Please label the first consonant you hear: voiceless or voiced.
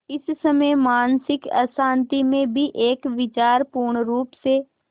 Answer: voiceless